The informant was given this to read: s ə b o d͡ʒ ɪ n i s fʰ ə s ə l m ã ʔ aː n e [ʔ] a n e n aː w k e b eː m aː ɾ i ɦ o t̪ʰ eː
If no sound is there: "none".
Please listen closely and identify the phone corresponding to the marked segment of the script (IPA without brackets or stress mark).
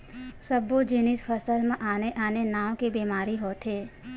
ʔ